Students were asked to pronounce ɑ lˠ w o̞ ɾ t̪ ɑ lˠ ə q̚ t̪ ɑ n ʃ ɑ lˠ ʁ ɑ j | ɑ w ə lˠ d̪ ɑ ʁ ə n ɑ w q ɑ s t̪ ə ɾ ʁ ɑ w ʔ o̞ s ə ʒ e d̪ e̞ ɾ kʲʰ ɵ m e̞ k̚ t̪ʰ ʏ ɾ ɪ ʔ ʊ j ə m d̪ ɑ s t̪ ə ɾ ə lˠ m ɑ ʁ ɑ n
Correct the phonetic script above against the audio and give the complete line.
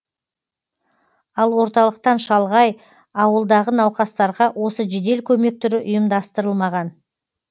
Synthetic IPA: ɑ lˠ w o̞ ɾ t̪ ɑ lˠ ə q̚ t̪ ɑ n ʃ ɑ lˠ ʁ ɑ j | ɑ w ə lˠ d̪ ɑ ʁ ə n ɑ w q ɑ s t̪ ɑ ɾ ʁ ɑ w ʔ o̞ s ə ʒ e d̪ e̞ l kʲʰ ɵ m e̞ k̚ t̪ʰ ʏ ɾ ɪ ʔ ʊ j ə m d̪ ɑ s t̪ ə ɾ ə lˠ m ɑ ʁ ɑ n